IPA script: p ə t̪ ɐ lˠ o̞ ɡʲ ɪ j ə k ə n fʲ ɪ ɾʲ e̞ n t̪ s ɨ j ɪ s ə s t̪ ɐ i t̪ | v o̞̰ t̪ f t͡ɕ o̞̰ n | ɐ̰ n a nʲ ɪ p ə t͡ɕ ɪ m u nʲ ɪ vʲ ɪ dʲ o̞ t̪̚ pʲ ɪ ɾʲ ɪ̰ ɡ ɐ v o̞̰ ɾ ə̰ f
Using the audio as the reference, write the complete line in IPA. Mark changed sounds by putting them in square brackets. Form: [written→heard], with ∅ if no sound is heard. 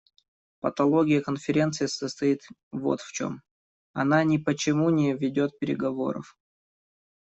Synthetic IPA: p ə t̪ ɐ lˠ o̞ ɡʲ ɪ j ə k ə n fʲ ɪ ɾʲ e̞ n t̪ s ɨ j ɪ s ə s t̪ ɐ i t̪ | v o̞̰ t̪ f t͡ɕ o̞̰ [n→m] | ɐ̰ n a nʲ ɪ p ə t͡ɕ ɪ m u nʲ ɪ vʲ ɪ dʲ o̞ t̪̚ pʲ ɪ ɾʲ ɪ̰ ɡ ɐ v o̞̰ ɾ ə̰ f